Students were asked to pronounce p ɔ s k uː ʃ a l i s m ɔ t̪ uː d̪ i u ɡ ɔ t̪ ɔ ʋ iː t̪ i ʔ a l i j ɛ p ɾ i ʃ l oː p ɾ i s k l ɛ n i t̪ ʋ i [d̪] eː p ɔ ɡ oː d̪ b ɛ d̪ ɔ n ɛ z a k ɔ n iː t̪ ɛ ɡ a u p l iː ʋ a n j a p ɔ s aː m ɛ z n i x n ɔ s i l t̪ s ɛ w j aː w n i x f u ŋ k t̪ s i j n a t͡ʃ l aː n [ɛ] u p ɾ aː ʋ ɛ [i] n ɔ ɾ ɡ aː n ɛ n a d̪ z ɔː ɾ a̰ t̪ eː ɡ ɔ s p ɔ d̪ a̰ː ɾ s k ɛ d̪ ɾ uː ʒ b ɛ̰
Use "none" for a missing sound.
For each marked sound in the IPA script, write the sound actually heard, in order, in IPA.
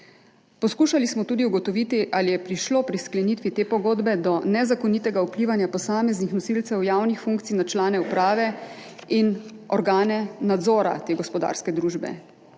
t̪, ɛ, i

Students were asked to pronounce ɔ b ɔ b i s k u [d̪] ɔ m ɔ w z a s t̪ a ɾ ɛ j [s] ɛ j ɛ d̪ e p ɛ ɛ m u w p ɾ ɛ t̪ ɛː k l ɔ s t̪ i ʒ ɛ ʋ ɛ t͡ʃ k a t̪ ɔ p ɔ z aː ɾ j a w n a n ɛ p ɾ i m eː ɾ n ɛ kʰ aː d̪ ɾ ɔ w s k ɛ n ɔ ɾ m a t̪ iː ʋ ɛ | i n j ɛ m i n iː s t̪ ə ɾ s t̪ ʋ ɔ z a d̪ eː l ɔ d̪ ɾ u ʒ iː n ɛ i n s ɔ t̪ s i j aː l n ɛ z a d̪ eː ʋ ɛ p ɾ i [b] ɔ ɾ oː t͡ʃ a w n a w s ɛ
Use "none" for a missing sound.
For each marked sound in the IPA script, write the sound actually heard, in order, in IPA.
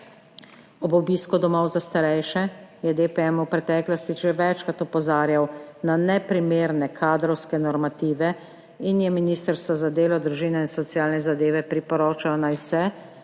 d̪, ʃ, p

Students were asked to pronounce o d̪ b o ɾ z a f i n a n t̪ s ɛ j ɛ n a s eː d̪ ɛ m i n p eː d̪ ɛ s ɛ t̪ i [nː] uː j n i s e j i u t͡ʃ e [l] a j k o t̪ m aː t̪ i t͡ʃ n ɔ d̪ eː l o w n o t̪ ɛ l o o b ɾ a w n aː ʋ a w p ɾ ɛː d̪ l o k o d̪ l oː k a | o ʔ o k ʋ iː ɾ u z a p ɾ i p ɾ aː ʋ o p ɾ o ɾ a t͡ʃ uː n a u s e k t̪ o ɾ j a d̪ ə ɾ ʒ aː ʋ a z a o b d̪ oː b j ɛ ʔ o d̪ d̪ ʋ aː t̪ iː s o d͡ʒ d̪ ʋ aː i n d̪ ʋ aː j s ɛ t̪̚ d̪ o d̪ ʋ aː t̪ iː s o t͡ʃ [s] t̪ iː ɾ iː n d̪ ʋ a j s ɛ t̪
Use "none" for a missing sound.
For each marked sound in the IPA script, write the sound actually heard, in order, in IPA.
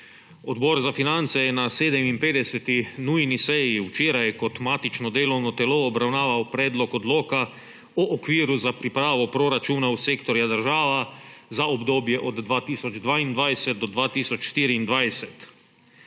n, ɾ, ʃ

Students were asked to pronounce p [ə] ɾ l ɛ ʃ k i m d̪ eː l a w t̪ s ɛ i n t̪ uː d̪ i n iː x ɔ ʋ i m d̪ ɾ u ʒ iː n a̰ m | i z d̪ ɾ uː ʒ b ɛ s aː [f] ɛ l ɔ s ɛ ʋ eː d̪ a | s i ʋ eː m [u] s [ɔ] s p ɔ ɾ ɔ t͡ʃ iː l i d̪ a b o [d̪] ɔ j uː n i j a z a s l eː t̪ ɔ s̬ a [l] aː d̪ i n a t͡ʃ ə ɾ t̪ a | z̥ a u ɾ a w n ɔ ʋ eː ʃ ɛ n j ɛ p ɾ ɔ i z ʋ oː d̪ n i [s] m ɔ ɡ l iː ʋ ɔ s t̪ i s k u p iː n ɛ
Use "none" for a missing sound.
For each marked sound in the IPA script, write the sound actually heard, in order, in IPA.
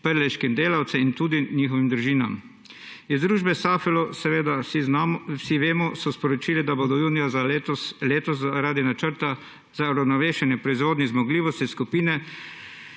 ə, f, ɔ, ɔ, d̪, ɾ, z

